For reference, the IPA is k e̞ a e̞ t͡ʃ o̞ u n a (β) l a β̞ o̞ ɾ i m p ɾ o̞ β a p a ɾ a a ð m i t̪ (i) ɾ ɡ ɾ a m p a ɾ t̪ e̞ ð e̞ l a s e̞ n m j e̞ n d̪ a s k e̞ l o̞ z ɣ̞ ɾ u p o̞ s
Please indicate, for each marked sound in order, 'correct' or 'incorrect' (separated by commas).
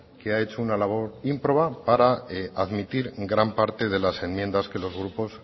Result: incorrect, correct